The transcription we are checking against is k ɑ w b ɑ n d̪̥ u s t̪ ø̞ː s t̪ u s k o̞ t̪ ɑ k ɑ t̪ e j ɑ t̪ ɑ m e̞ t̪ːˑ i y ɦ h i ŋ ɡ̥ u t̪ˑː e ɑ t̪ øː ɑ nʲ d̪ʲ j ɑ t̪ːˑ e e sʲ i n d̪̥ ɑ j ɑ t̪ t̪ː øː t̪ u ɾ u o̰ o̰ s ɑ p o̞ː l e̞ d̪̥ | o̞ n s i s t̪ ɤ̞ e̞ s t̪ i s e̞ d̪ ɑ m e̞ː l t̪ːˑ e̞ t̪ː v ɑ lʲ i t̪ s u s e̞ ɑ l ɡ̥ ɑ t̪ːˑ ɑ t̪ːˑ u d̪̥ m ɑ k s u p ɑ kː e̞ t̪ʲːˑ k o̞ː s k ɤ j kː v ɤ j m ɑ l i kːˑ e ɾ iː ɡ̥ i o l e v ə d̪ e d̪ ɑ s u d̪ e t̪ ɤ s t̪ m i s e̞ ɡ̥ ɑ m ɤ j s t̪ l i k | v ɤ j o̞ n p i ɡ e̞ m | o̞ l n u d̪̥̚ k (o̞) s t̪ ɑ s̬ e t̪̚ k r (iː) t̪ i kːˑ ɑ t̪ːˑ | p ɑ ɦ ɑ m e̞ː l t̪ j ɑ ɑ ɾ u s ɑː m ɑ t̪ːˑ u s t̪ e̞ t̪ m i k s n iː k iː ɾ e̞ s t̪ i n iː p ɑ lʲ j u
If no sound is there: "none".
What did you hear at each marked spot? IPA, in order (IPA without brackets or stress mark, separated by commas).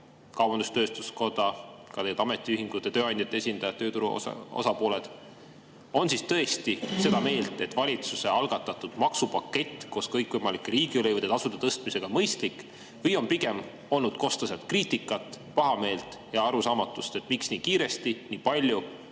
o̞, iː